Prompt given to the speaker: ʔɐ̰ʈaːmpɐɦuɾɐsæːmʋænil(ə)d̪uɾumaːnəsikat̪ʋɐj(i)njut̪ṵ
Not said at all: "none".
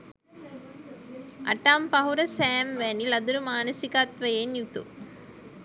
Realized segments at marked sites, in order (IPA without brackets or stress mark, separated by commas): ɐ, e